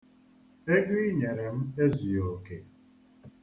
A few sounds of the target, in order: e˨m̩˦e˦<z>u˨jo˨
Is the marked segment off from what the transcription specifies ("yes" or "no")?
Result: no